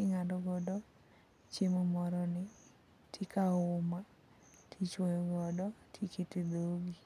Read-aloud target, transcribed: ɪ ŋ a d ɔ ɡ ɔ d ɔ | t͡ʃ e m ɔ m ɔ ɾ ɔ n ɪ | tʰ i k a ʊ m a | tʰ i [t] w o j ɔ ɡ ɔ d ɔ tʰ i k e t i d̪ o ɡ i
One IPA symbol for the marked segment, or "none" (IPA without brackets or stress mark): t͡ʃ